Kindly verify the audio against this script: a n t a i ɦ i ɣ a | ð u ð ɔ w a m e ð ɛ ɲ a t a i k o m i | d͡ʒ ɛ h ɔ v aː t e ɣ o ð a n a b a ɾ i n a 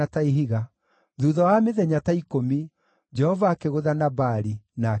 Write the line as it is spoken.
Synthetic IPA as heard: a t a i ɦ i ɣ a | ð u ð ɔ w a m e ð ɛ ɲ a t a i k o m i | d͡ʒ ɛ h ɔ v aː k e ɣ o ð a n a b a ɾ i n a